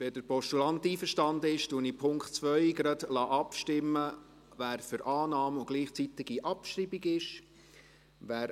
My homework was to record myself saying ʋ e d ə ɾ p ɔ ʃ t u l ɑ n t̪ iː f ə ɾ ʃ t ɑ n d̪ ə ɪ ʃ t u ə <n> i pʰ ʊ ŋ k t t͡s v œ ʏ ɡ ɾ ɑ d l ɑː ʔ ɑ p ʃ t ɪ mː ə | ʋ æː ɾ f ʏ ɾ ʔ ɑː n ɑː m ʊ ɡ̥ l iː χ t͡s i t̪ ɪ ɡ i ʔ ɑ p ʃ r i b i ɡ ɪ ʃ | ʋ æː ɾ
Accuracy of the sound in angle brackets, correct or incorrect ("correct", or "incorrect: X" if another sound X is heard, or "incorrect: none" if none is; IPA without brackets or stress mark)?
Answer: correct